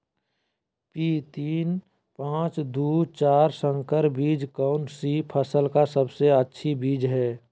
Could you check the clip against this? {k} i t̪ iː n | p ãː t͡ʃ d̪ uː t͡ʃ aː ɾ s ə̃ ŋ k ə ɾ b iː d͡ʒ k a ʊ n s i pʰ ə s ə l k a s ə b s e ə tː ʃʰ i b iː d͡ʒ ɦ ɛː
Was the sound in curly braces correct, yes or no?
no